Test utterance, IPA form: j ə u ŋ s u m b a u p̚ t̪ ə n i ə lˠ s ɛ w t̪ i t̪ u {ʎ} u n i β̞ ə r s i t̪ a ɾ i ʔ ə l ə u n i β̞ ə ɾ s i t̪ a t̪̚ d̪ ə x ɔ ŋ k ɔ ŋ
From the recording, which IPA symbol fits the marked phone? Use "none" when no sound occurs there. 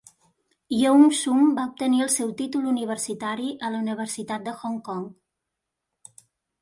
l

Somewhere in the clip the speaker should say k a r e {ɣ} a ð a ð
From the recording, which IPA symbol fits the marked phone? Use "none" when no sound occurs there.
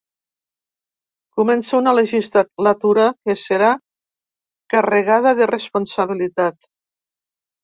ɣ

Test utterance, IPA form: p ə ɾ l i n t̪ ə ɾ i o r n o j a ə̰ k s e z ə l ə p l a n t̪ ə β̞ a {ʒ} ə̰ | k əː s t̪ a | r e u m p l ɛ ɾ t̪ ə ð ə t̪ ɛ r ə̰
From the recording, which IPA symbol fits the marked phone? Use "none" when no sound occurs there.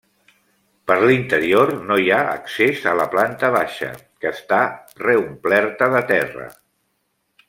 ʃ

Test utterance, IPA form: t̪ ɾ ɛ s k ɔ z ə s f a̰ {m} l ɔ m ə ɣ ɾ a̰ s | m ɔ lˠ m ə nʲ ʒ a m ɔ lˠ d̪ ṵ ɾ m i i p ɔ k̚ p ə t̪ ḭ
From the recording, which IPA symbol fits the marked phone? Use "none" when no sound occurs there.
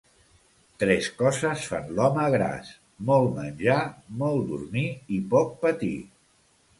n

